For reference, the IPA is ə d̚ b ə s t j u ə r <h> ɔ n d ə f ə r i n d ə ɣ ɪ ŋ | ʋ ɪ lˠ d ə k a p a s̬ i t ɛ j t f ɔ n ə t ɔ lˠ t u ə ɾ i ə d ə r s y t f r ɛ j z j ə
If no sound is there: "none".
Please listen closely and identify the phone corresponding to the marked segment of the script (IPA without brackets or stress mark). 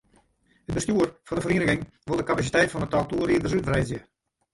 f